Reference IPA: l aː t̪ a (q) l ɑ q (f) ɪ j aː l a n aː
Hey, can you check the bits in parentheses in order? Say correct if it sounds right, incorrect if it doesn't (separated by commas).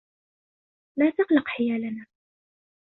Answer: correct, incorrect